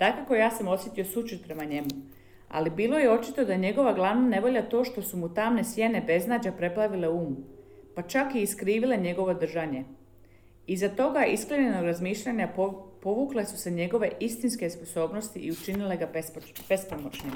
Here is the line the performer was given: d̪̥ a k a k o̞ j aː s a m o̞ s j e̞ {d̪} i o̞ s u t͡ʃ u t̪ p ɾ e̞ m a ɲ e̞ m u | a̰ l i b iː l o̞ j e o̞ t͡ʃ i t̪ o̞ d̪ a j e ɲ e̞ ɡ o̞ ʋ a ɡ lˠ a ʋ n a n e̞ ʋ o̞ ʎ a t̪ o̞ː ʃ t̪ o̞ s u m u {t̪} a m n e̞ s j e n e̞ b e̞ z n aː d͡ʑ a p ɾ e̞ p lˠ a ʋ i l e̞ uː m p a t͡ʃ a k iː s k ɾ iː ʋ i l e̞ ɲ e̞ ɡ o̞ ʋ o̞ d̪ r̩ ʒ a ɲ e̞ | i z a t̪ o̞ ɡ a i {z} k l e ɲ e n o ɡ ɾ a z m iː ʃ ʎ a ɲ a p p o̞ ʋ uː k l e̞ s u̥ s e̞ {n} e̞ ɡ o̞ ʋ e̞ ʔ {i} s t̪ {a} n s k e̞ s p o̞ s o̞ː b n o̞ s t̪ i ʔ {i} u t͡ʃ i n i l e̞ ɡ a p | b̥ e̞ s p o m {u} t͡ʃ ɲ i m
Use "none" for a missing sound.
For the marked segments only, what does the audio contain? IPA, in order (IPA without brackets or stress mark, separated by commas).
t̪, t̪, s, ɲ, i, i, i, o